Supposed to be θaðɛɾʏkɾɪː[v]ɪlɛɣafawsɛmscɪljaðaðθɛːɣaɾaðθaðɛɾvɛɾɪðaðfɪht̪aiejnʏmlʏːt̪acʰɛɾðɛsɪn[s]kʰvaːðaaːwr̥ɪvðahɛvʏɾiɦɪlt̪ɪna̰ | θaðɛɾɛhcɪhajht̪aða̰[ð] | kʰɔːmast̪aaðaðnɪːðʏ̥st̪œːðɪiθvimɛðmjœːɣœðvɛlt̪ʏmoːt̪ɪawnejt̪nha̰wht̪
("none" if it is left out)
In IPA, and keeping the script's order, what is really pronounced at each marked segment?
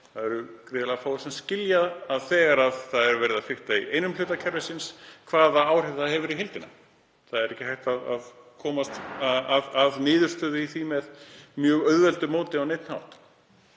ð, s, ð

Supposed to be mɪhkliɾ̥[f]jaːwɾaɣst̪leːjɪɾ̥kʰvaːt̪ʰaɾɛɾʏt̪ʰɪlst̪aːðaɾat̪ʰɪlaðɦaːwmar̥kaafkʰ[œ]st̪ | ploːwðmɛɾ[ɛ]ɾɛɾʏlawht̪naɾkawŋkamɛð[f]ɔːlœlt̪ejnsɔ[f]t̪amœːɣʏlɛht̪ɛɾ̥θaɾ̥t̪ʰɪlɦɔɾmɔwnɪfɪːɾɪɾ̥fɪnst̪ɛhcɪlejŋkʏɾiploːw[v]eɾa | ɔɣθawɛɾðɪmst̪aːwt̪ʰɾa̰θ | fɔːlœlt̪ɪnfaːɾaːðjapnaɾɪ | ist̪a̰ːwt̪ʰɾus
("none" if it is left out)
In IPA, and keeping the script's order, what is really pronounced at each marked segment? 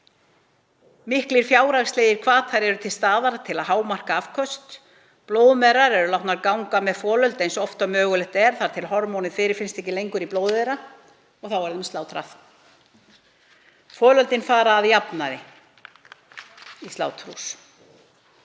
f, œ, a, f, f, ð

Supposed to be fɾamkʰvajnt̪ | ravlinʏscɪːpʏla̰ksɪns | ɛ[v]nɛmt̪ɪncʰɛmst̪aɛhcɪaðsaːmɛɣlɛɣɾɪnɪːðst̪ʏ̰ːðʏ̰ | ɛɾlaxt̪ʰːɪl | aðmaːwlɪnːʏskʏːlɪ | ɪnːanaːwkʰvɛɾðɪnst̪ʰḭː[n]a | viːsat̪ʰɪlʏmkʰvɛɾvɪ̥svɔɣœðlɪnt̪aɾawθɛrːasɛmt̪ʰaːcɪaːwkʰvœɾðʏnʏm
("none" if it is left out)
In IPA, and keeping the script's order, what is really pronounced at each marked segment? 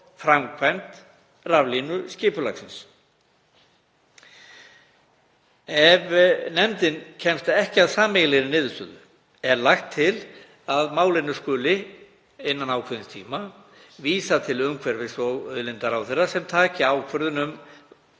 v, m

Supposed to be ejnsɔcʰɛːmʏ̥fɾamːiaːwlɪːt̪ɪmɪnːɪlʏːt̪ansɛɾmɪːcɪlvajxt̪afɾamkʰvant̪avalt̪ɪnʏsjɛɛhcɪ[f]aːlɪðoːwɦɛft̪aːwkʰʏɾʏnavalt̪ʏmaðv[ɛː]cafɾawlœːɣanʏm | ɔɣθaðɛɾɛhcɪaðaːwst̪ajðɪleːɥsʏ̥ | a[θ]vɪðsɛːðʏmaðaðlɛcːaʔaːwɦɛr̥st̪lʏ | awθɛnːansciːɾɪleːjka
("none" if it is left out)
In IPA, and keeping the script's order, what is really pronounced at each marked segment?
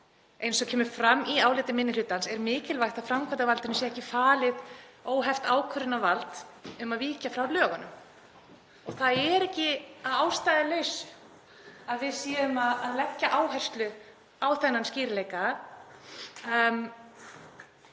f, iː, ð

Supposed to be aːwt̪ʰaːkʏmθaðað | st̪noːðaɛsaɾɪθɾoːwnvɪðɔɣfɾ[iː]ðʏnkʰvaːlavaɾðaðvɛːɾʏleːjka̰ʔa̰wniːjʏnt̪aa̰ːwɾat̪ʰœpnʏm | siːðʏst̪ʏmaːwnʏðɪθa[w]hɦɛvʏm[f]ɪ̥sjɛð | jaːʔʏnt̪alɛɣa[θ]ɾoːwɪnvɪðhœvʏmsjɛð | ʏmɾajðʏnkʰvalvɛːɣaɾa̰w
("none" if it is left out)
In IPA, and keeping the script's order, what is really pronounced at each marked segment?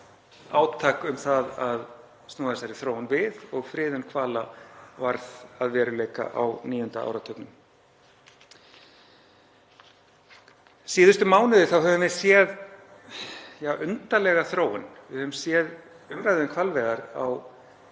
ɪː, w, v, θ

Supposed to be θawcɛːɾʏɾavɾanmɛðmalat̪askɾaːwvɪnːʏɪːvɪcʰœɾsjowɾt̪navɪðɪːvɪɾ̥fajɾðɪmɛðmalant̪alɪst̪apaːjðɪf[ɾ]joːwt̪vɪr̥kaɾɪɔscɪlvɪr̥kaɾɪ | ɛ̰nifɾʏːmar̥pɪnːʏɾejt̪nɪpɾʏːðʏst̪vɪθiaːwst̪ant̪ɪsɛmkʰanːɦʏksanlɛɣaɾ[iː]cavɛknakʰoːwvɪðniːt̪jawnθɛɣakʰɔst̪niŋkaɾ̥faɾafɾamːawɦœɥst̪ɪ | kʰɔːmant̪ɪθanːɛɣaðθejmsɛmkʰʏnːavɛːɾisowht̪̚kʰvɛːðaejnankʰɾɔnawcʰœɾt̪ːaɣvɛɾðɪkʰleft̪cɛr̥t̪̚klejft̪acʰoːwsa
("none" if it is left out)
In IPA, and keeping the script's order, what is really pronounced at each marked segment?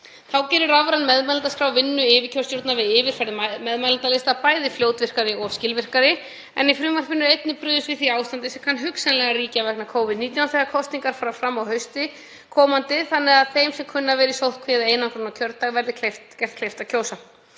l, iː

